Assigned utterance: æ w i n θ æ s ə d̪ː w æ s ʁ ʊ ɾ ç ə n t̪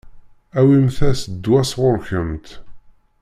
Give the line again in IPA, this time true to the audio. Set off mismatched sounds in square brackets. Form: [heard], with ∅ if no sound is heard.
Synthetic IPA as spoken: æ w i [m] θ æ s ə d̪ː w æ s ʁ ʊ ɾ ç ə [m] t̪

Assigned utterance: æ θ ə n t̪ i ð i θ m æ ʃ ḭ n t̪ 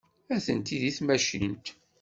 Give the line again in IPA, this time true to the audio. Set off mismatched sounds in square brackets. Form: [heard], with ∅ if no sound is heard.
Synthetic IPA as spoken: æ θ ə n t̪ i ð i θ m æ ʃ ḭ n t̪

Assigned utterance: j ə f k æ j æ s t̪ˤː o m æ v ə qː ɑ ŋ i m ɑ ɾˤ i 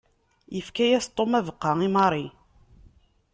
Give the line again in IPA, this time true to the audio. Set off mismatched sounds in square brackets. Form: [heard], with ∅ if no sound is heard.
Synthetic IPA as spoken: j ə f k æ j æ s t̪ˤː o m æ v ə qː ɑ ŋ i m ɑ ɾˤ i

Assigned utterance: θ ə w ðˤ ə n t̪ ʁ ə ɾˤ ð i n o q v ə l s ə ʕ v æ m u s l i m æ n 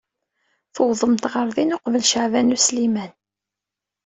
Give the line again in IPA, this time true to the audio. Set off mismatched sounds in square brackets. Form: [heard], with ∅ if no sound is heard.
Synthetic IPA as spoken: θ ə w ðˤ ə [m] t̪ ʁ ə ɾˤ ð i n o q v ə l [ʃ] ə ʕ v æ [n] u s l i m æ n

